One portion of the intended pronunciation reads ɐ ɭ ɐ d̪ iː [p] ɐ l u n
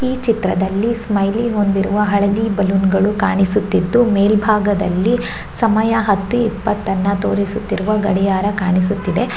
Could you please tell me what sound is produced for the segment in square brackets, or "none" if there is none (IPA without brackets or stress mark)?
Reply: b